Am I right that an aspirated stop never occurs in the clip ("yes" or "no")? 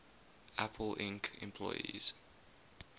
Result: no